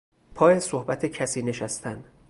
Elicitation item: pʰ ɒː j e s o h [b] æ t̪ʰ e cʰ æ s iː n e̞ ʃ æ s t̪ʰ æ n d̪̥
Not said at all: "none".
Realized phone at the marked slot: b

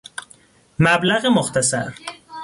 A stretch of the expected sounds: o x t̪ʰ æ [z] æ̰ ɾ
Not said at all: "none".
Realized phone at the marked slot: s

